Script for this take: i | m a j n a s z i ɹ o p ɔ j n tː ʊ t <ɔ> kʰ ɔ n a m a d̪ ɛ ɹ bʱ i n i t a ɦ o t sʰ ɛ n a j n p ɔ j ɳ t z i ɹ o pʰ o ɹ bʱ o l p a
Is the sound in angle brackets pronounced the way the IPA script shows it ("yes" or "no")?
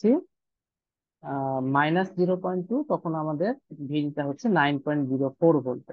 yes